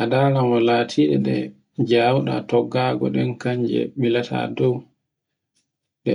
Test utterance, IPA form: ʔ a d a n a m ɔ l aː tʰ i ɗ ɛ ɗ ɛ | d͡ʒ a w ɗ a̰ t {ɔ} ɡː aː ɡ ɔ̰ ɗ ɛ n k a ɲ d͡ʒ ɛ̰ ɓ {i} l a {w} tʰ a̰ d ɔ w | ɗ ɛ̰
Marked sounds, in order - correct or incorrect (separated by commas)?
correct, correct, incorrect